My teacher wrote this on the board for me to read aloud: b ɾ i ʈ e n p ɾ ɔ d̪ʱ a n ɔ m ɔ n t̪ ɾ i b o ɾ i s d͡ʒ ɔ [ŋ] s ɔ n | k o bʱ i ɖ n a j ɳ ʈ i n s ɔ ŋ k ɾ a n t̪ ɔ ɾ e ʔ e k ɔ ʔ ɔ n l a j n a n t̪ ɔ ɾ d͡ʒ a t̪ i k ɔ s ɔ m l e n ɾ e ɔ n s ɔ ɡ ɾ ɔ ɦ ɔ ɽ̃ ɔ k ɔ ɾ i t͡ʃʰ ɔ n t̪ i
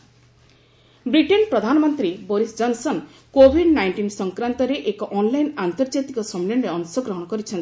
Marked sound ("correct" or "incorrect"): incorrect